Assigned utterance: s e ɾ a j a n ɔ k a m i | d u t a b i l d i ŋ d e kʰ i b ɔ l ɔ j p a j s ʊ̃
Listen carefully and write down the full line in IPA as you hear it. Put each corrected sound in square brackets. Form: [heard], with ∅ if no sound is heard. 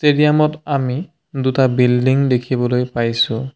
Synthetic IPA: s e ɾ [i] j a [m] ɔ [t] a m i | d u t a b i l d i ŋ d e kʰ i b ɔ l [o] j p a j s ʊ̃